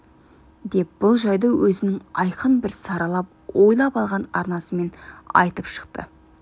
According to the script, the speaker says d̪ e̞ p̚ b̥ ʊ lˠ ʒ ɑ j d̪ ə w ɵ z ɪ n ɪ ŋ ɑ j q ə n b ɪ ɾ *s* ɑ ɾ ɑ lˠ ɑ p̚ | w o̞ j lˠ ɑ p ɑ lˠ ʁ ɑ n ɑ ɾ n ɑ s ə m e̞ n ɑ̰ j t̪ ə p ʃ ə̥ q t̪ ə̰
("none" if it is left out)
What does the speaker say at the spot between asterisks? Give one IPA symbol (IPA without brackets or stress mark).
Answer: s